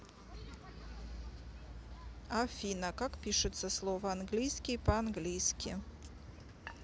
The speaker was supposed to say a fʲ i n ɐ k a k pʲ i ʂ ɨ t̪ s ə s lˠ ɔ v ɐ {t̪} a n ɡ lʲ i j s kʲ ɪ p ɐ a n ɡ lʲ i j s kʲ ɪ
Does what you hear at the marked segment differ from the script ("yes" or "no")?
yes